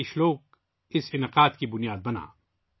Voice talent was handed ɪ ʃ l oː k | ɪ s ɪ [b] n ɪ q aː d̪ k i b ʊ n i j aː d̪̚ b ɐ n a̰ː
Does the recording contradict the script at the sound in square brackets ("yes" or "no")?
yes